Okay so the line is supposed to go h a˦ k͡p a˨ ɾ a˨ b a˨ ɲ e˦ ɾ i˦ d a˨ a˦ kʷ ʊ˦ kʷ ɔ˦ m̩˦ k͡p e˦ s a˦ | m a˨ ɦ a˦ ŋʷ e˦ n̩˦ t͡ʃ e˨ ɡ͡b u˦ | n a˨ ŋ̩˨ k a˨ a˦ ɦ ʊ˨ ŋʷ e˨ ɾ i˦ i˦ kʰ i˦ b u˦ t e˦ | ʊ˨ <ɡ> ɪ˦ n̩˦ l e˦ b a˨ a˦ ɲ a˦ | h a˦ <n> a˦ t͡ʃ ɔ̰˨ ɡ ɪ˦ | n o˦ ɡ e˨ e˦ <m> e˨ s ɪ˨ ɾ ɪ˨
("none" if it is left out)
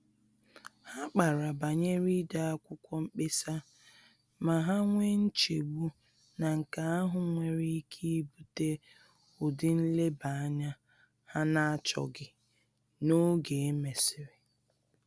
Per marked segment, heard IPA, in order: d, n, m

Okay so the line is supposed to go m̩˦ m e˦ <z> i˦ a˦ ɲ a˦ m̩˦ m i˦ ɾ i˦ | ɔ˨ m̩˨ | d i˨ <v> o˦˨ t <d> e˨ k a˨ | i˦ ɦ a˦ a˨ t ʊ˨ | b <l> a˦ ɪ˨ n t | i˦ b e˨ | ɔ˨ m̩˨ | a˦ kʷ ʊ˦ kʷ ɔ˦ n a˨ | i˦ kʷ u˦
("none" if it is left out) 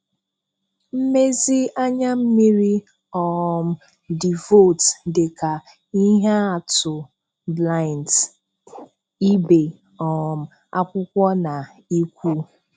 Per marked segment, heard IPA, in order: z, v, d, l

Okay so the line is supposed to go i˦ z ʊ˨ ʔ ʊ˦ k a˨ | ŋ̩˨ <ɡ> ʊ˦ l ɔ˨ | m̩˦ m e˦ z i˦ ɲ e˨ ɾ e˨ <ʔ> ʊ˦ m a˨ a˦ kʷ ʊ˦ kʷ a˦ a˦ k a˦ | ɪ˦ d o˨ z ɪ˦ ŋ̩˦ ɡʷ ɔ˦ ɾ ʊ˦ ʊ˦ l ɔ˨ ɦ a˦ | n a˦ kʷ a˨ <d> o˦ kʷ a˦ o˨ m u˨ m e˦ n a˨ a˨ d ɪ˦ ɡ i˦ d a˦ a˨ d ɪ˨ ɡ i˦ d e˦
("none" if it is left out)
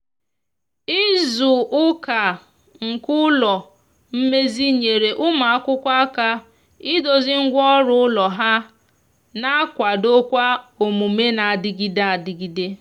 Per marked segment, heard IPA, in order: k, ʔ, d

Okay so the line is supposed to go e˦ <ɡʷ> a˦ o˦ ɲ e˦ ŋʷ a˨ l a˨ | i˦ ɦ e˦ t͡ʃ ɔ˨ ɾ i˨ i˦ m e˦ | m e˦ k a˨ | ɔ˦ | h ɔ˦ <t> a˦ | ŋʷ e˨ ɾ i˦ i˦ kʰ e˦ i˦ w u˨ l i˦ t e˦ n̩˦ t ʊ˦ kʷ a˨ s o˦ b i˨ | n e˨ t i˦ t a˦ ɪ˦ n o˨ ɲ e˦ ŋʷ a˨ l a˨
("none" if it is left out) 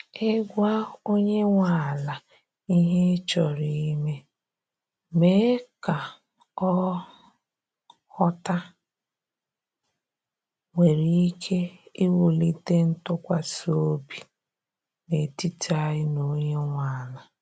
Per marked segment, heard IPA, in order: ɡʷ, t

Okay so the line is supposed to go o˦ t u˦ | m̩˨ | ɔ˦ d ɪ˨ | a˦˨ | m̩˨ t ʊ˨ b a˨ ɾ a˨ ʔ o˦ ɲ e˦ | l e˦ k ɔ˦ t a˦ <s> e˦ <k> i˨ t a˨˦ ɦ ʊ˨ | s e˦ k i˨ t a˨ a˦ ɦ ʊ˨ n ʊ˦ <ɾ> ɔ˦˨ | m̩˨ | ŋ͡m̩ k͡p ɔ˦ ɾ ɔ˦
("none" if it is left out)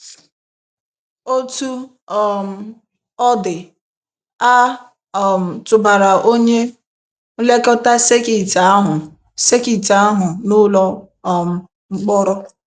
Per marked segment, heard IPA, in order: s, k, l

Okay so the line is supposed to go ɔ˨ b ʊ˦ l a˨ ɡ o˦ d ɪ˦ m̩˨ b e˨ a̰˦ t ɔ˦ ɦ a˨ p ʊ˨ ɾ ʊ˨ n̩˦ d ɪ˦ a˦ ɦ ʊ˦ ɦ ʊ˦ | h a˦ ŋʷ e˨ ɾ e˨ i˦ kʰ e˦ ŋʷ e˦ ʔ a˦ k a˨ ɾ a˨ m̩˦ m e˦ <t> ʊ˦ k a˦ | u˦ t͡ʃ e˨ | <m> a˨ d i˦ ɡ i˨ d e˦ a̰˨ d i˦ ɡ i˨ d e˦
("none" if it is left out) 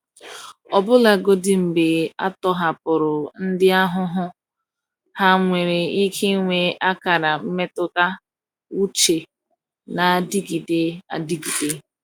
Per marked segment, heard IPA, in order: t, n

